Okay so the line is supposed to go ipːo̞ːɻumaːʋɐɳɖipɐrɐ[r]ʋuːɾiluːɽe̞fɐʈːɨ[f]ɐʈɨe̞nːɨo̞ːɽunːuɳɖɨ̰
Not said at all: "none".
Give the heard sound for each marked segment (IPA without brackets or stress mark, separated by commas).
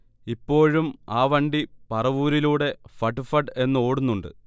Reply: none, f